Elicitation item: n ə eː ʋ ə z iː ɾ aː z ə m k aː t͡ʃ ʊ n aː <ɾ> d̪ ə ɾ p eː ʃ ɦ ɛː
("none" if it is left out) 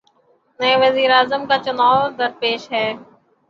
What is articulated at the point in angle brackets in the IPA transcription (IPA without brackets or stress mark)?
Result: ɾ